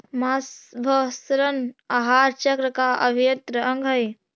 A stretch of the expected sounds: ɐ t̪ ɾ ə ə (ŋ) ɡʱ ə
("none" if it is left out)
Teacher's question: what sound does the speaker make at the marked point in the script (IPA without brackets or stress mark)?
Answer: ŋ